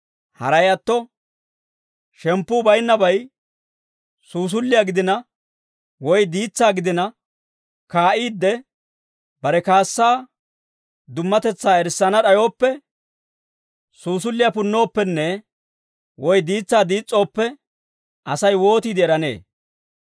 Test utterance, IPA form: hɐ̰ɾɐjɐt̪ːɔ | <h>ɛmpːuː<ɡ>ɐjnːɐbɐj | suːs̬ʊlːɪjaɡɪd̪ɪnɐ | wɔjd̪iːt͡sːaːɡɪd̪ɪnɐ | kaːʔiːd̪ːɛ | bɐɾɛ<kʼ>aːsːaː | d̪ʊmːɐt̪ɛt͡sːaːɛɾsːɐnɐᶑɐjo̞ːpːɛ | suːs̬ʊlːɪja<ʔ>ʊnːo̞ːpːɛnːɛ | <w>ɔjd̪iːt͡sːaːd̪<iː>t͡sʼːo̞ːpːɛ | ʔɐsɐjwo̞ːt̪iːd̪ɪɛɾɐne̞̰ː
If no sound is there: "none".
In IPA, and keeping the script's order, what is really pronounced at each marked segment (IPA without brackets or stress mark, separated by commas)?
ʃ, b, k, p, w, iː